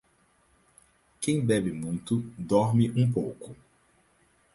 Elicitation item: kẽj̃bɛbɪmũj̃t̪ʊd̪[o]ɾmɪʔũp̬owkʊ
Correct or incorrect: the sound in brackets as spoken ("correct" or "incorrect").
incorrect